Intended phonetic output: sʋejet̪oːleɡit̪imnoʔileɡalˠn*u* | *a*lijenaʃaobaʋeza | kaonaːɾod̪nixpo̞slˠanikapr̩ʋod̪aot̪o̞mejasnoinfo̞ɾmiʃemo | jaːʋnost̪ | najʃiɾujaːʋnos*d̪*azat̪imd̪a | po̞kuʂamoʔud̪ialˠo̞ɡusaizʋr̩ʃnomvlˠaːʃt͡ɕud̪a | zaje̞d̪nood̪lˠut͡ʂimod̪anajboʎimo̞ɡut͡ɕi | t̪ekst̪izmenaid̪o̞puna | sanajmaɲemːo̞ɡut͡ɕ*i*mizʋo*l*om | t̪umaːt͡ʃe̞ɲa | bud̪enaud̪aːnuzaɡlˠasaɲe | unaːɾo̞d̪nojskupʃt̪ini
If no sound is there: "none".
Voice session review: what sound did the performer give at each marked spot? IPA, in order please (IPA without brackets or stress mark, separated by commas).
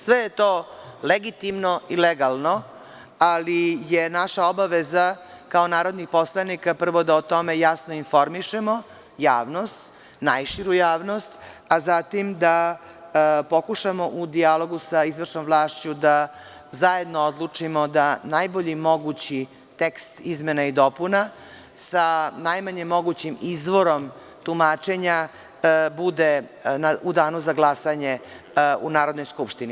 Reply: o, a, t̪, i, ɾ